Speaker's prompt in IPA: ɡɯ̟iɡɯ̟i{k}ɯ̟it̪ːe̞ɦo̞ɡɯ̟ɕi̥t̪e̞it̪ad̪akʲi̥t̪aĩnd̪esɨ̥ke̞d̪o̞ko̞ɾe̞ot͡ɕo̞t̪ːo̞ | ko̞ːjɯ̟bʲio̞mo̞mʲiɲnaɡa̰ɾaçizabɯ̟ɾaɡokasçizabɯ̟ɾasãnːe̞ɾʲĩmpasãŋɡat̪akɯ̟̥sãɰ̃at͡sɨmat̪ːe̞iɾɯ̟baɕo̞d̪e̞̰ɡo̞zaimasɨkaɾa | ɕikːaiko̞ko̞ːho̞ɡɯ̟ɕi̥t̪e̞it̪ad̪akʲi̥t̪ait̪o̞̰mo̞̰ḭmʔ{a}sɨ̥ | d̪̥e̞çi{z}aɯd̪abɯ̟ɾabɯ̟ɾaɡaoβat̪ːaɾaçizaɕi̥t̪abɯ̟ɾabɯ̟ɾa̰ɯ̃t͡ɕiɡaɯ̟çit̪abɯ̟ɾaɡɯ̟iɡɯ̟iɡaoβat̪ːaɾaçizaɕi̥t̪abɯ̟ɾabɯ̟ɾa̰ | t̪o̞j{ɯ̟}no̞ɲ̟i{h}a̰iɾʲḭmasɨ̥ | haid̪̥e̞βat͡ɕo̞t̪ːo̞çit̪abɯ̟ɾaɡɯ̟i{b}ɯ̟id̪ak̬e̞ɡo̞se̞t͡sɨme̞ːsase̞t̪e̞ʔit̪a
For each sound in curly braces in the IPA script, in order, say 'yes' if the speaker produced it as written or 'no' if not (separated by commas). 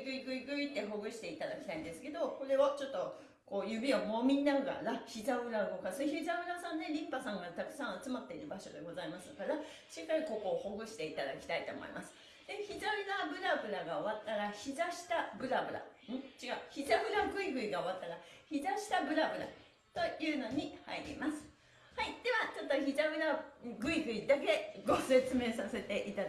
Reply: no, yes, yes, no, yes, no